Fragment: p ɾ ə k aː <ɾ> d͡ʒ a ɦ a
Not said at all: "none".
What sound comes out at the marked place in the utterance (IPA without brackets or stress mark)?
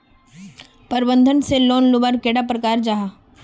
ɾ